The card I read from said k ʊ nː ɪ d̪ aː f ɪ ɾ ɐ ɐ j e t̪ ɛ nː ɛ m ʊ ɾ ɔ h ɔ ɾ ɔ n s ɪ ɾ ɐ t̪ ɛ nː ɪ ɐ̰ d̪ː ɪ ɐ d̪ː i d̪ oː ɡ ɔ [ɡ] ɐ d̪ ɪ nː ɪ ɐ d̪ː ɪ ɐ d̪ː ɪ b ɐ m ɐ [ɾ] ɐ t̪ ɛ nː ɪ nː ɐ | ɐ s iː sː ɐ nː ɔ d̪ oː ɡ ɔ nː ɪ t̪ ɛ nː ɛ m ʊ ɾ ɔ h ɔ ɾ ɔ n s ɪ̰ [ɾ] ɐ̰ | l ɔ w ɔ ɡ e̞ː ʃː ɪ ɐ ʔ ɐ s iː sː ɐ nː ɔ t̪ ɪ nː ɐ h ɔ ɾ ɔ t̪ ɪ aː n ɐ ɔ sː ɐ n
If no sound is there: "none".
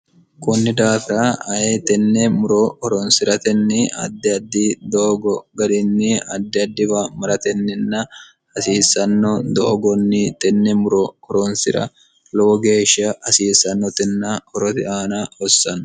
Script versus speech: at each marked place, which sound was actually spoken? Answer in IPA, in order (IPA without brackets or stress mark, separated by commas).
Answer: ɡ, ɾ, ɾ